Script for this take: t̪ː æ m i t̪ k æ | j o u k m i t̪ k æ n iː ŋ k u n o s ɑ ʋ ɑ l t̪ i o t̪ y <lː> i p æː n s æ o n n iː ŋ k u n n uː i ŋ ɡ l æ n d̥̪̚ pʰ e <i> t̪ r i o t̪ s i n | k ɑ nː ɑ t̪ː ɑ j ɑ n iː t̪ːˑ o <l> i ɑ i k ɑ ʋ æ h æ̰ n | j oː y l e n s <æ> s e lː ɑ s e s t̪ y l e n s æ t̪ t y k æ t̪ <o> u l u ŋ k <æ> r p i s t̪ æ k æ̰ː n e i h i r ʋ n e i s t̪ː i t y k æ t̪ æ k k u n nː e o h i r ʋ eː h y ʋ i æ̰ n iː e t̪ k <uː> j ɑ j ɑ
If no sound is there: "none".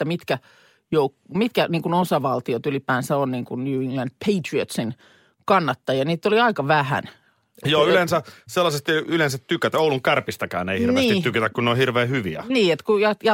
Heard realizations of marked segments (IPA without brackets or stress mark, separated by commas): l, i, l, æ, o, æ, u